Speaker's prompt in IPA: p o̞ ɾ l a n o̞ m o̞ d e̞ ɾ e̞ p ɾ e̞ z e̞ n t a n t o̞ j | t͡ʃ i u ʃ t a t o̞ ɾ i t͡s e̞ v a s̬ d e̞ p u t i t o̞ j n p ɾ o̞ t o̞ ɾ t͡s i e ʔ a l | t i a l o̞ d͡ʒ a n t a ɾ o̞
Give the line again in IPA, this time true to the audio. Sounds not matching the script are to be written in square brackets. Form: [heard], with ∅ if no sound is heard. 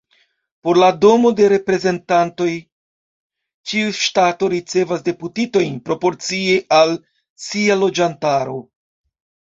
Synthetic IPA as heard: p o̞ ɾ l a [d] o̞ m o̞ d e̞ ɾ e̞ p ɾ e̞ z e̞ n t a n t o̞ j | t͡ʃ i u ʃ t a t o̞ ɾ i t͡s e̞ v a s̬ d e̞ p u t i t o̞ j n p ɾ o̞ [p] o̞ ɾ t͡s i e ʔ a l | [s] i a l o̞ d͡ʒ a n t a ɾ o̞